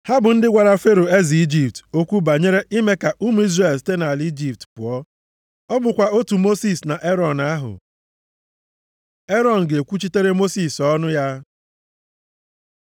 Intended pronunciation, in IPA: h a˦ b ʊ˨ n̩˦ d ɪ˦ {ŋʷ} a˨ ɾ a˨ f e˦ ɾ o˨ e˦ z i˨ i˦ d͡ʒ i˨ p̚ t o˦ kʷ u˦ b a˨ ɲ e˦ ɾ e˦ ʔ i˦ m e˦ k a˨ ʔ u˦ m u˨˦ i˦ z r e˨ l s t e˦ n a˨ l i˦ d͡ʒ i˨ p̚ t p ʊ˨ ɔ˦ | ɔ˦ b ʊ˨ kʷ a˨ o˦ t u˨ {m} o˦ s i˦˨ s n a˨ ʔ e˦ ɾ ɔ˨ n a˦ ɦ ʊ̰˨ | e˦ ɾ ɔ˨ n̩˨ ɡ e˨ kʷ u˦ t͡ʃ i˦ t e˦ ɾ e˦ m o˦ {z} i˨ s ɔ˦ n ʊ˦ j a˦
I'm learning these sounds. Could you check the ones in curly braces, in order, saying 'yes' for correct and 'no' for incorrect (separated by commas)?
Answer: no, yes, no